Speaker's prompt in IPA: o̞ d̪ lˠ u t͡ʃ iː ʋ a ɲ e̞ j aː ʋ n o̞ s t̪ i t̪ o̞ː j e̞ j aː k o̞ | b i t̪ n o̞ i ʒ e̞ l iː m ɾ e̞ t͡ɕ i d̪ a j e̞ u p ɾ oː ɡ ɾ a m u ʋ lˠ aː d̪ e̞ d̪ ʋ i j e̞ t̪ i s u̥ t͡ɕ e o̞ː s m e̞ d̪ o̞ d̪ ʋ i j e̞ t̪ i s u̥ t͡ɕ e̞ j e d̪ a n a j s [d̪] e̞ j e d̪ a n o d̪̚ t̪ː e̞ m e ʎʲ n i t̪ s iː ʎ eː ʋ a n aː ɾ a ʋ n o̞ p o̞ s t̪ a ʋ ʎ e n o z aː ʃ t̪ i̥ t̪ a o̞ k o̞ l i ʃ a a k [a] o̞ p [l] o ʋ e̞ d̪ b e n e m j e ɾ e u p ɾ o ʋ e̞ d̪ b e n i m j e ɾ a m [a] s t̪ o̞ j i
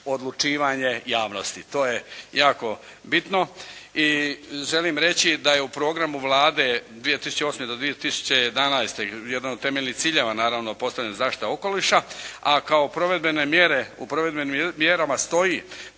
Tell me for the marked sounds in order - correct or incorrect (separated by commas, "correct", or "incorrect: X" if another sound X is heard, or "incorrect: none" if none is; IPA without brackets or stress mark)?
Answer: incorrect: t̪, correct, incorrect: ɾ, correct